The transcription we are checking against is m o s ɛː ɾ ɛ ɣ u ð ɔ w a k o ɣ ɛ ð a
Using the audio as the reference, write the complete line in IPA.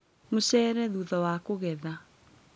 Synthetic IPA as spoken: m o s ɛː ɾ ɛ ð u ð ɔ w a k o ɣ ɛ ð a